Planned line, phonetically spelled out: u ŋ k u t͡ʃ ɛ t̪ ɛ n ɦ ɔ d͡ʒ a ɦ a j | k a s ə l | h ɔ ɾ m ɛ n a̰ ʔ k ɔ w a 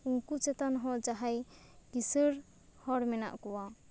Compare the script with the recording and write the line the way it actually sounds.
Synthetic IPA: u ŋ k u t͡ʃ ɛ t̪ a n ɦ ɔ d͡ʒ a ɦ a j | k i s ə ɾ | h ɔ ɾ m ɛ n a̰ ʔ k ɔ w a